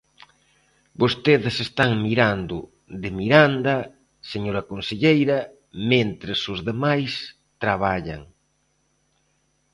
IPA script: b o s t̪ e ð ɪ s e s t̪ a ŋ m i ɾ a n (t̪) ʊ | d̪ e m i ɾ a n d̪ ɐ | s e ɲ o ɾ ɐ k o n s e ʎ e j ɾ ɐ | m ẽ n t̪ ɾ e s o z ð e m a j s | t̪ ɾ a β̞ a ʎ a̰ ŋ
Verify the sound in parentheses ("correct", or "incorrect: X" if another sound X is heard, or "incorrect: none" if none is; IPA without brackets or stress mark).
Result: incorrect: d̪